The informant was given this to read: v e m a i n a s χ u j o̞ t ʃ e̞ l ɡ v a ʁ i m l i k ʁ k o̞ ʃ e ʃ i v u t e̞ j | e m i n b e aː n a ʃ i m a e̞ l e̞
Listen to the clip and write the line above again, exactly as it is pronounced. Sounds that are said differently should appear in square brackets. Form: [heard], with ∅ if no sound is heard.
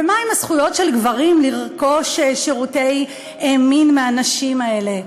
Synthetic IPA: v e m a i [m] a s χ u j o̞ t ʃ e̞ l ɡ v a ʁ i m l i [∅] ʁ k o̞ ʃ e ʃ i [ʁ] u t e̞ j | e m i n [m] e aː n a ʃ i m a e̞ l e̞